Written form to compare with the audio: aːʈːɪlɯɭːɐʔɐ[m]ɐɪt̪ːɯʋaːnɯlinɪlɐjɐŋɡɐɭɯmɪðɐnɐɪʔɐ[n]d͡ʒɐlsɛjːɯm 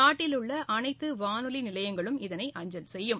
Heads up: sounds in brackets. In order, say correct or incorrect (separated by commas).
incorrect, incorrect